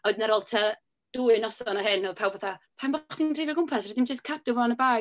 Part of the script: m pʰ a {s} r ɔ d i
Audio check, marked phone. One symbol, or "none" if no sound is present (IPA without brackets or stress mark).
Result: s